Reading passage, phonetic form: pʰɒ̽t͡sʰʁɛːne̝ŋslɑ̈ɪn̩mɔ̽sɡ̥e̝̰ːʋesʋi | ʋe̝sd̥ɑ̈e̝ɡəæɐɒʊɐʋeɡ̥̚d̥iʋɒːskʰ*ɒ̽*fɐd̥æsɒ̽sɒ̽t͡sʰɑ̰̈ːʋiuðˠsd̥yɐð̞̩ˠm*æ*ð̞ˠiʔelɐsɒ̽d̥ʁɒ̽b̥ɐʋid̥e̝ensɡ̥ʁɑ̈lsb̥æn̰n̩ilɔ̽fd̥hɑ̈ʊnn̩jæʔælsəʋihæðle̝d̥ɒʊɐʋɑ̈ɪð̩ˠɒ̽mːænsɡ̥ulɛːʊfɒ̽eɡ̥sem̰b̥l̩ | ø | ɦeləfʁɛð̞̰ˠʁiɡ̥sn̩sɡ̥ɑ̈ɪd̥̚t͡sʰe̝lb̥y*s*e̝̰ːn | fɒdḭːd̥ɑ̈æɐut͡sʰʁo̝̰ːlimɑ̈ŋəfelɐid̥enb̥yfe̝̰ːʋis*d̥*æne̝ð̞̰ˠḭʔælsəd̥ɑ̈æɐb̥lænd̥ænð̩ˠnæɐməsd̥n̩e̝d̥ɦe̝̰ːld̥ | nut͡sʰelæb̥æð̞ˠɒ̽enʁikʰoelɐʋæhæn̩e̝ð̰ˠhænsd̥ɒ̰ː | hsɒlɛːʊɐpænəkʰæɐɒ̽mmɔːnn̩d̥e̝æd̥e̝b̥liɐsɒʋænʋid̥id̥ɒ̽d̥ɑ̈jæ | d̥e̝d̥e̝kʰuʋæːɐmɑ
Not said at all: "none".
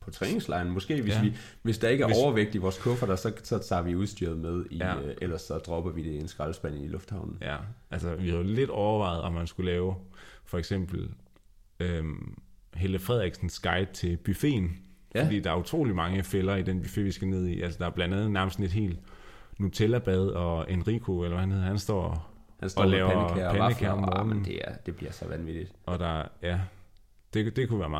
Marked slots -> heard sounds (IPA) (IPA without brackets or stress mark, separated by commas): ɔ̽, e, f, ɡ̥